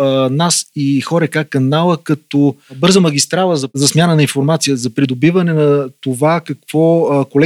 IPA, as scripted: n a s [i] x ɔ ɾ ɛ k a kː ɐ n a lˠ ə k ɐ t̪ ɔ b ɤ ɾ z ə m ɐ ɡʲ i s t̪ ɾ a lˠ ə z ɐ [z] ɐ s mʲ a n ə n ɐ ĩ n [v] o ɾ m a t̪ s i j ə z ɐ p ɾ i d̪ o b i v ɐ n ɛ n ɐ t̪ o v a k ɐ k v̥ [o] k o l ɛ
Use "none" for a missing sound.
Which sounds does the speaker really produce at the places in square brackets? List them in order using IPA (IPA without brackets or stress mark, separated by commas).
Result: i, z, f, ɔ